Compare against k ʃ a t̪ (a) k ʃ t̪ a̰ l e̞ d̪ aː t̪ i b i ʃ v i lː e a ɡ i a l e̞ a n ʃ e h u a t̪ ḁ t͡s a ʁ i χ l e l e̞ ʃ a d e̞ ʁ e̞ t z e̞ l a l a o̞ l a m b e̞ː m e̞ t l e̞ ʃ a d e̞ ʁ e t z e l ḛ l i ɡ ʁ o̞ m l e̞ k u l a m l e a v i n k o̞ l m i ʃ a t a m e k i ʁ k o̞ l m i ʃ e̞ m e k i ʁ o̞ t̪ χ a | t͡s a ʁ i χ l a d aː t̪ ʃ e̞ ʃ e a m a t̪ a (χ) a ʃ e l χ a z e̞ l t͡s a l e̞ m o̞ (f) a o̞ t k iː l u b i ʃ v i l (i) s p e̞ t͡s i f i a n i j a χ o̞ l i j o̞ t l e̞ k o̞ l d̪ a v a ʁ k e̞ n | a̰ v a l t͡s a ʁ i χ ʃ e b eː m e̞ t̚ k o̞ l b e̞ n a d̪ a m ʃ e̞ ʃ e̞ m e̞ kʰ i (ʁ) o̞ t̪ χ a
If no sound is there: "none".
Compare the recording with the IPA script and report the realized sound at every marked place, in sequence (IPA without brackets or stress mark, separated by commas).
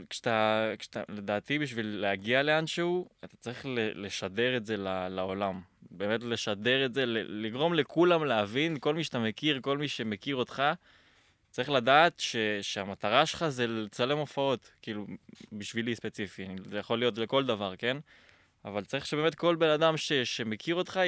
a, ʁ, f, i, ʁ